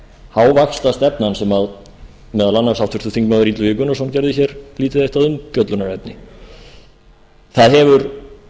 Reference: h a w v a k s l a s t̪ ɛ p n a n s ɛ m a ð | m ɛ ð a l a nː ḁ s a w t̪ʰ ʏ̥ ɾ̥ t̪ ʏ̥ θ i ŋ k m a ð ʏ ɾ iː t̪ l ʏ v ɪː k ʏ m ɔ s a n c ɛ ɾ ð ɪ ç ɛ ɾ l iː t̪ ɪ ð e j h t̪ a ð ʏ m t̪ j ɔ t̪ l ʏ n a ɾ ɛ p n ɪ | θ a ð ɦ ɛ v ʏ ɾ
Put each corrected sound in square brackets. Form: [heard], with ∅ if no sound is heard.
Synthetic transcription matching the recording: h a w v a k s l a s t̪ ɛ p n a n s ɛ m a ð | m ɛ ð a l a nː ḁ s a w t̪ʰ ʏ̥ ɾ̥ t̪ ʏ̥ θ i ŋ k m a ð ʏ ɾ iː t̪ l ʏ v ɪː k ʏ [n] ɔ s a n c ɛ ɾ ð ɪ ç ɛ ɾ l iː t̪ ɪ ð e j h t̪ a ð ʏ m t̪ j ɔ t̪ l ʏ n a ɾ ɛ p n ɪ | θ a ð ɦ ɛ v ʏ ɾ

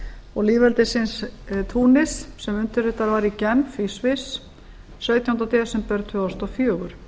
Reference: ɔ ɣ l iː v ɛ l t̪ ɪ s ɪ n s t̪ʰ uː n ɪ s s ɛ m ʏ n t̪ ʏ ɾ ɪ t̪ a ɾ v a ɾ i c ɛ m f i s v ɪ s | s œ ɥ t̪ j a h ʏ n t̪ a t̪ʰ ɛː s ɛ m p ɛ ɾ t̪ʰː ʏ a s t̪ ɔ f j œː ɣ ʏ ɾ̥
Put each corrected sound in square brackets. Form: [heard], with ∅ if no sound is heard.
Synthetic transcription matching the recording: ɔ ɣ l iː v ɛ l t̪ ɪ s ɪ n s t̪ʰ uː n ɪ s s ɛ m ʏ n t̪ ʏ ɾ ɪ t̪ a ɾ v a ɾ i c ɛ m f i s v ɪ s | s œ ɥ t̪ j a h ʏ n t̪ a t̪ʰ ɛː s ɛ m p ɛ ɾ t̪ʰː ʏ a s t̪ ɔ f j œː ɣ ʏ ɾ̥

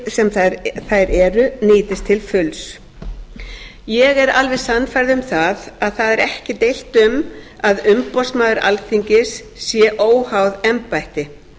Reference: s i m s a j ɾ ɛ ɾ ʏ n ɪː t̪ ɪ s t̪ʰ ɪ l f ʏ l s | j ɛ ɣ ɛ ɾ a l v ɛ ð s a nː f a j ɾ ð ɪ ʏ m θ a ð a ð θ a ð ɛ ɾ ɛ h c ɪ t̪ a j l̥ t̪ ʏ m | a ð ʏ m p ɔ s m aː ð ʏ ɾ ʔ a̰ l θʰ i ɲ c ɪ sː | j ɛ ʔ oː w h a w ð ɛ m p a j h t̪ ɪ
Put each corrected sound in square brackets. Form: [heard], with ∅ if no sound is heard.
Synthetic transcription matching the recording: s [ɛ] m [θ] a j ɾ ɛ ɾ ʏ n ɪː t̪ ɪ s t̪ʰ ɪ l f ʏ l s | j ɛ ɣ ɛ ɾ a l v ɛ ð s a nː f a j ɾ ð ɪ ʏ m θ a ð a ð θ a ð ɛ ɾ ɛ h c ɪ t̪ [e] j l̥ t̪ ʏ m | a ð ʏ m p ɔ s m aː ð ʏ ɾ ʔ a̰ l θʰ i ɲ c ɪ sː | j ɛ ʔ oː w h a w ð ɛ m p a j h t̪ ɪ

